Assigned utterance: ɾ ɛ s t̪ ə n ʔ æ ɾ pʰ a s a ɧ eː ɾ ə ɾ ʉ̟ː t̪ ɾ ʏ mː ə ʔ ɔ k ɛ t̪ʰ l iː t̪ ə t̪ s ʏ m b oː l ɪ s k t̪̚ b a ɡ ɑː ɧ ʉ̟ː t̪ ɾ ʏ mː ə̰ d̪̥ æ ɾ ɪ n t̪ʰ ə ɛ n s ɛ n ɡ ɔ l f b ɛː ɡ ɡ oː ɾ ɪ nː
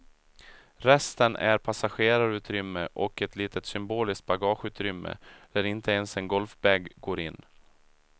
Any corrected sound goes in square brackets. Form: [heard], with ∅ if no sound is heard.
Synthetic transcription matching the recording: ɾ ɛ s t̪ ə n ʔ æ ɾ pʰ a s a ɧ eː ɾ [a] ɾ ʉ̟ː t̪ ɾ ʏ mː ə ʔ ɔ k ɛ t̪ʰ l iː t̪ ə t̪ s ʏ m b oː l ɪ s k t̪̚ b a ɡ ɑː ɧ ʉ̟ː t̪ ɾ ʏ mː ə̰ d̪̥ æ ɾ ɪ n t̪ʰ ə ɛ n s ɛ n ɡ ɔ l f b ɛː ɡ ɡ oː ɾ ɪ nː